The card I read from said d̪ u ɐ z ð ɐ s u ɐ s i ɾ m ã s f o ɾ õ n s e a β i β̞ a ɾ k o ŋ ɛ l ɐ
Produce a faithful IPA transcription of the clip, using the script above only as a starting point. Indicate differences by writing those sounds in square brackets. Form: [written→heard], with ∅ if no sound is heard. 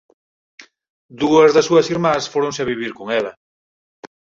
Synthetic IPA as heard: d̪ u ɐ z ð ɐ s u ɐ s i ɾ m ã s f o ɾ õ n s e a β i β̞ [a→i] ɾ k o ŋ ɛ l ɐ